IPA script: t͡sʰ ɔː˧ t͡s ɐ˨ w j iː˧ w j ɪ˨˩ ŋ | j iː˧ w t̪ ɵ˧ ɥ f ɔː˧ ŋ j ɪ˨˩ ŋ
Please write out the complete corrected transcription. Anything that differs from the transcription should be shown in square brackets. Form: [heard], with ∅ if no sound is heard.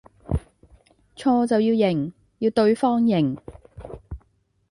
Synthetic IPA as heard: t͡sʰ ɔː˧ t͡s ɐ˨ w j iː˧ w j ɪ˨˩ ŋ | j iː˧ w t̪ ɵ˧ ɥ f [ɔː˥] ŋ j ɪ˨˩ ŋ